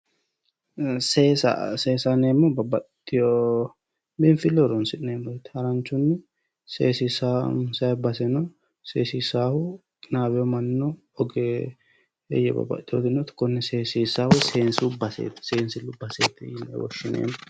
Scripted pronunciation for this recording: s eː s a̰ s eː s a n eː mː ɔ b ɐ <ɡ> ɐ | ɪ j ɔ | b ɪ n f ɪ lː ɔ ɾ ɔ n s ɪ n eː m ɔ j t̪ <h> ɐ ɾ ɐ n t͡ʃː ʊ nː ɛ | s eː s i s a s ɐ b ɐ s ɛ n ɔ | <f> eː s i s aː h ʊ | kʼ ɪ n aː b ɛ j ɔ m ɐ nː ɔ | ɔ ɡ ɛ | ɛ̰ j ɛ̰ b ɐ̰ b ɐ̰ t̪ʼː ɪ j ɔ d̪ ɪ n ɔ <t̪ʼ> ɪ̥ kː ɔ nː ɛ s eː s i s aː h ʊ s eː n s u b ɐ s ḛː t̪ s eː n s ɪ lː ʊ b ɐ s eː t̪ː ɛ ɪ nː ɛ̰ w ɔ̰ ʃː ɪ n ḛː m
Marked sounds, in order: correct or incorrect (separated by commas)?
incorrect, correct, incorrect, incorrect